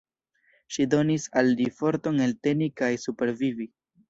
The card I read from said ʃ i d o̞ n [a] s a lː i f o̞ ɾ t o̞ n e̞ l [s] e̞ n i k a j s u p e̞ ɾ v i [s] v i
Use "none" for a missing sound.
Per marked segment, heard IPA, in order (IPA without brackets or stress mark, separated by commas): i, t, none